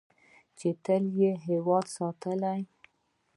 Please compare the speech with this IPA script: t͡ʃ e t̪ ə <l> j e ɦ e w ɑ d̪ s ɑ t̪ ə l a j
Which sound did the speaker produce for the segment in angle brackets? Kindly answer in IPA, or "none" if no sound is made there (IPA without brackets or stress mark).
l